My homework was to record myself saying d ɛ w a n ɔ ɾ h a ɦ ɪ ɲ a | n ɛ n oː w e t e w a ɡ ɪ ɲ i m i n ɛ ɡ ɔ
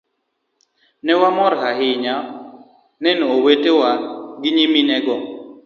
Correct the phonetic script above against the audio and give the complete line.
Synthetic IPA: n ɛ w a m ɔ ɾ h a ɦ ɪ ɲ a | n ɛ n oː w e t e w a ɡ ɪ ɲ i m i n ɛ ɡ ɔ